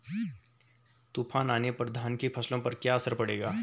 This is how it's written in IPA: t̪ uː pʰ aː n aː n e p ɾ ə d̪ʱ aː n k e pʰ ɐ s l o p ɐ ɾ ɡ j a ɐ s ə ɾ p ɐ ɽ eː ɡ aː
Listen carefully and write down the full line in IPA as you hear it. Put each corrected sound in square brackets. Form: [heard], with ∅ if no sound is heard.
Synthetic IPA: t̪ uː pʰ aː n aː n e p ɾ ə d̪ʱ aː n k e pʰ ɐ s l [õ] p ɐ ɾ [k] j a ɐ s ə ɾ p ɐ ɽ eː ɡ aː